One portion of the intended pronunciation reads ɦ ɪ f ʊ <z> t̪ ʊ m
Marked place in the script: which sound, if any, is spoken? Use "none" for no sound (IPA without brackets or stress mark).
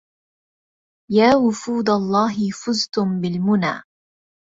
z